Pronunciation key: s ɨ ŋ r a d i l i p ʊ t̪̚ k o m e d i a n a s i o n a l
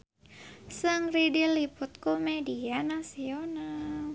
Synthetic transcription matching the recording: s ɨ ŋ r i d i l i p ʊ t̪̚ k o m e d i a n a s i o n a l